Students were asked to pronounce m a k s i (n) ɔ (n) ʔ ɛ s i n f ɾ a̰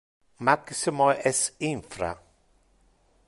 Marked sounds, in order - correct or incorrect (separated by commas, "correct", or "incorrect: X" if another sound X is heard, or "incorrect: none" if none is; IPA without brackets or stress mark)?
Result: incorrect: m, incorrect: none